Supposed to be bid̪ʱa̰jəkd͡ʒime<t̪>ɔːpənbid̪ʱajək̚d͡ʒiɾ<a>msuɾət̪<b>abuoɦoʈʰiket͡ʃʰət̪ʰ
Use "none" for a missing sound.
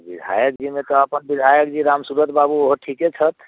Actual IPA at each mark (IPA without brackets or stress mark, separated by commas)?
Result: t̪, a, b